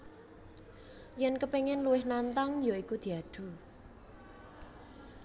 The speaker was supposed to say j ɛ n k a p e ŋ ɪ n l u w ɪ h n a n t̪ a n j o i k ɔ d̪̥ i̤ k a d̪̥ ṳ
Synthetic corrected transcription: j ɛ n k ə p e ŋ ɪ n l u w ɪ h n a n t̪ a ŋ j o i k u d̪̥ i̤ a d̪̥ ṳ